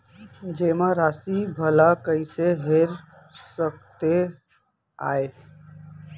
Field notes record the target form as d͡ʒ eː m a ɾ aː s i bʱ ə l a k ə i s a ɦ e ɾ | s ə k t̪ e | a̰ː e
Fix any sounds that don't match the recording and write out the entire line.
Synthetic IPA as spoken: d͡ʒ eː m a ɾ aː s i bʱ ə l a k ə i s e ɦ e ɾ | s ə k t̪ e | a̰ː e

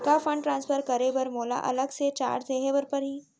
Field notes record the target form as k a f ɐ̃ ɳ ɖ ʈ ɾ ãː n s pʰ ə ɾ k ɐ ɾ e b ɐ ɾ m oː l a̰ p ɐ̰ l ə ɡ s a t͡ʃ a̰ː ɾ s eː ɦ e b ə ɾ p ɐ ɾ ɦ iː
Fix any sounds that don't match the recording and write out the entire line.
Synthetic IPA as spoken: k a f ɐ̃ ɳ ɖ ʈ ɾ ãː n s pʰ ə ɾ k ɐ ɾ e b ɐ ɾ m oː l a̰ ʔ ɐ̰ l ə ɡ s e t͡ʃ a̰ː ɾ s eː ɦ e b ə ɾ p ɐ ɾ ɦ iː

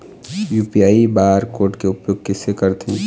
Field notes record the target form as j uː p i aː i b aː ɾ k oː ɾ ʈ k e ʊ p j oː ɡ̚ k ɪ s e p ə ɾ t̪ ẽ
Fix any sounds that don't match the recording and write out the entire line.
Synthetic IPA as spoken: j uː p i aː i b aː ɾ k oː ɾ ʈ k e ʊ p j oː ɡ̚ k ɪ s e k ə ɾ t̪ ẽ

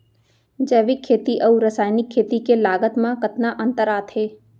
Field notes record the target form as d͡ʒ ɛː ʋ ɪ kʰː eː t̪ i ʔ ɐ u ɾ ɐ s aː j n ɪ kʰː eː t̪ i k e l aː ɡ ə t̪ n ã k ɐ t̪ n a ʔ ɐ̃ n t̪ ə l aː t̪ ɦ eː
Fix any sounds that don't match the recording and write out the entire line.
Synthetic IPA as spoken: d͡ʒ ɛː ʋ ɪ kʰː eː t̪ i ʔ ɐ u ɾ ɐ s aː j n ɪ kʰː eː t̪ i k e l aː ɡ ə t̪ m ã k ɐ t̪ n a ʔ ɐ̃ n t̪ ə ɾ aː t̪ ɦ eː

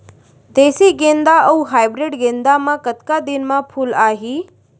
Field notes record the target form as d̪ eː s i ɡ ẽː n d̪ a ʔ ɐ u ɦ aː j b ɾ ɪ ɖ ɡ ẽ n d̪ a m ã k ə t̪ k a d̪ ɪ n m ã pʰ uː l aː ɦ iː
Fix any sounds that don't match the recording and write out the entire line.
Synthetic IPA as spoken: d̪ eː s i ɡ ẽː n d̪ a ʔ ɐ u ɦ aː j b ɾ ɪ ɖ ɡ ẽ n d̪ a m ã k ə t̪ k a d̪ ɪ n m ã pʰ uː l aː ɦ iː

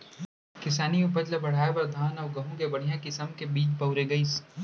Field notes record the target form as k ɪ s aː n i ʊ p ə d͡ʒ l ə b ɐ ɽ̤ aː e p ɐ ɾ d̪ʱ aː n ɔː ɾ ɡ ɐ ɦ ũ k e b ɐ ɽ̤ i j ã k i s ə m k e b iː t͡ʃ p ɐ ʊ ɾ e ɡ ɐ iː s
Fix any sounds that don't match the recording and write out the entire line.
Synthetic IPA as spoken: k ɪ s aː n i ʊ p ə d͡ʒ l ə b ɐ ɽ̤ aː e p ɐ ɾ d̪ʱ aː n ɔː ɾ ɡ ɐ ɦ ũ k e b ɐ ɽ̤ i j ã k ɪ s ə m k e b iː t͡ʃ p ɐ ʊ ɾ e ɡ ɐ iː s

